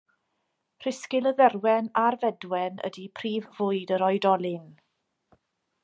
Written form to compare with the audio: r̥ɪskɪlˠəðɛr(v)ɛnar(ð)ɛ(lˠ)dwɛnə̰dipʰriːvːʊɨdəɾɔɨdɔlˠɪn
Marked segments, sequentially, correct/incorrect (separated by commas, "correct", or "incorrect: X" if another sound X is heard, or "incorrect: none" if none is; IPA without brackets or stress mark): incorrect: w, incorrect: v, incorrect: none